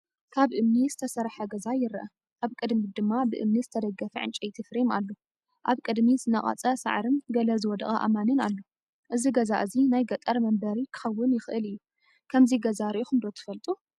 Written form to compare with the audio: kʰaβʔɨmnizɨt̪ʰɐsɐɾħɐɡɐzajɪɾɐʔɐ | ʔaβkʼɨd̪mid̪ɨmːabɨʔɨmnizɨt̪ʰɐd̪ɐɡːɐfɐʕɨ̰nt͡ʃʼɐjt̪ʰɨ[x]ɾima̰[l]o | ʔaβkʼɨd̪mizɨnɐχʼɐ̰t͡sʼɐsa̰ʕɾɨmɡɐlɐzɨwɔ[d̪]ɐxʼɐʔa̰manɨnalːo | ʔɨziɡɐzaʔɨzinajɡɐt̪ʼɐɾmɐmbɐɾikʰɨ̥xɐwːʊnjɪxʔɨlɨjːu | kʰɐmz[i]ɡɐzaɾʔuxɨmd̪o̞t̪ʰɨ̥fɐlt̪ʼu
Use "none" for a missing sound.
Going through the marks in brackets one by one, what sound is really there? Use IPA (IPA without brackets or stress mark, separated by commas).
f, lː, d̪, i